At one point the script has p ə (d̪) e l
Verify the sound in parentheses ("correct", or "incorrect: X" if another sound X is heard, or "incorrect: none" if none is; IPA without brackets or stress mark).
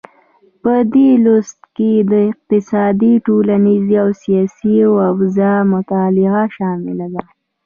correct